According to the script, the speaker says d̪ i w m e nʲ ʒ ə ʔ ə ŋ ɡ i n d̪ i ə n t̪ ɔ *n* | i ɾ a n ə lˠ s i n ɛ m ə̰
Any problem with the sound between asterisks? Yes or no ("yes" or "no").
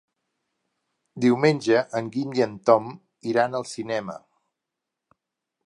yes